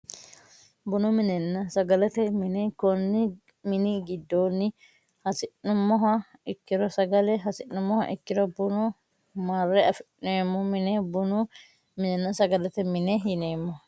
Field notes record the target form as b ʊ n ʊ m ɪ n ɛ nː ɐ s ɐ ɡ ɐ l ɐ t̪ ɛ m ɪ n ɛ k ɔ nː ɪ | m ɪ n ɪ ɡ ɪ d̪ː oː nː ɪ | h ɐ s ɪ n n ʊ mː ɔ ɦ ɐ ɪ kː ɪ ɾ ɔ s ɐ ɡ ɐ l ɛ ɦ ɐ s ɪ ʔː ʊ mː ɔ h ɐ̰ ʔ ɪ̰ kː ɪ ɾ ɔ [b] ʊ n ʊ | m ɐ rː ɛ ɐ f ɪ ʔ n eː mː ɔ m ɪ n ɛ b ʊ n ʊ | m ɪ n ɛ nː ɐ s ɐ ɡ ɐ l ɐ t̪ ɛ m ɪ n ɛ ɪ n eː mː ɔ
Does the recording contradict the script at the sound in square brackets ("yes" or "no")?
no